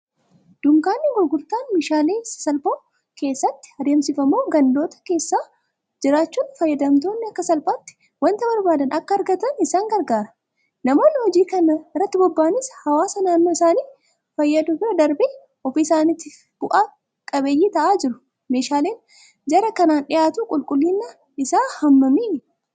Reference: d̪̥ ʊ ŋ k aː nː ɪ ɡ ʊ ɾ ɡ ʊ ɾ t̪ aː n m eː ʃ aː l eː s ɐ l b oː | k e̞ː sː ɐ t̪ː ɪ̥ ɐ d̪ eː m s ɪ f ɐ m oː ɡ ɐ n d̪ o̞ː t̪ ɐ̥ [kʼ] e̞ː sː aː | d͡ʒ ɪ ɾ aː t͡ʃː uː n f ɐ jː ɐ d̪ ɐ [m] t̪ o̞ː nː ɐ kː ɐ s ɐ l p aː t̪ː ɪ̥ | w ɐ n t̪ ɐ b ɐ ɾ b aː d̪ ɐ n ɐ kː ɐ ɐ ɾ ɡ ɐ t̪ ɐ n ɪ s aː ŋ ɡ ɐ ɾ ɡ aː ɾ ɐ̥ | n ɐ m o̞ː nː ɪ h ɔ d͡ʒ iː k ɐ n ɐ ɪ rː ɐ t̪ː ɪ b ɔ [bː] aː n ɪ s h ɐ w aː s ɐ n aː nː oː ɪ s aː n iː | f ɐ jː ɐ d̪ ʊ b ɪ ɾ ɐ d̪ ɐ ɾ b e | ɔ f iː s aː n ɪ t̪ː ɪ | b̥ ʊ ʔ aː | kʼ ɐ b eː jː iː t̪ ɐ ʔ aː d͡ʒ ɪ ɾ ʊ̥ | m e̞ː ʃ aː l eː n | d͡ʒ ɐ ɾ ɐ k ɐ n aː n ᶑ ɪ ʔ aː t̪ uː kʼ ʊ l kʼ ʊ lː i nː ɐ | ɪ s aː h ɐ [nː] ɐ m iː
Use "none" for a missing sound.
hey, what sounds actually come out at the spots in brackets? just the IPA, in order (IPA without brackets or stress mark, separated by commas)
k, m, bː, mː